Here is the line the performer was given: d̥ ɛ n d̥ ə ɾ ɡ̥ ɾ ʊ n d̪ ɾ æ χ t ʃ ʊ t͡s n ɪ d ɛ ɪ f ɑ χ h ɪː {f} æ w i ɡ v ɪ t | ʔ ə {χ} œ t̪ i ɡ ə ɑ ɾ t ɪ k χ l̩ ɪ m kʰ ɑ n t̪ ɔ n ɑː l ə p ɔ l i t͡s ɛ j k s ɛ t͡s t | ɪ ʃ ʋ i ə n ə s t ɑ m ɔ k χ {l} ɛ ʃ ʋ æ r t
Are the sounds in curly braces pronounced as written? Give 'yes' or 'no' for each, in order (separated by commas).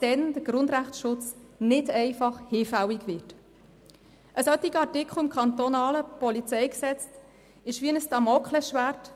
yes, no, yes